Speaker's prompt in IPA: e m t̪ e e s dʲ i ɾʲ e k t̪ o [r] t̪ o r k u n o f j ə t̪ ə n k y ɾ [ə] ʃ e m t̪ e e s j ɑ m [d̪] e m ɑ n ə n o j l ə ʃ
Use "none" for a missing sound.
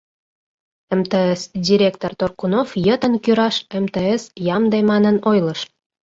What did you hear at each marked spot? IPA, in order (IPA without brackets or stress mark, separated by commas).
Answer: r, ɑ, d̪